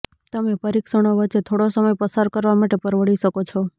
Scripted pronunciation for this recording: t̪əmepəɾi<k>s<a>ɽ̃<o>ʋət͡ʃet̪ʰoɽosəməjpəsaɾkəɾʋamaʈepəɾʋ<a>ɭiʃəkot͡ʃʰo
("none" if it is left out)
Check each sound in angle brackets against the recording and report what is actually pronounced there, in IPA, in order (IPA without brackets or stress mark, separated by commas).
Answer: k, ə, o, ə